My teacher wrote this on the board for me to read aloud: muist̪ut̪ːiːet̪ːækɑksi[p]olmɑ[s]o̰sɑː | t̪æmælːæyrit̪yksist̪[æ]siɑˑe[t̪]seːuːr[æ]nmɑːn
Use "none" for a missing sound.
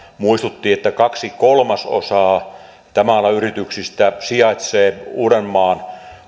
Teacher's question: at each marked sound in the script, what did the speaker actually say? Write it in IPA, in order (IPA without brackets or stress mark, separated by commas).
k, s, æ, t̪, e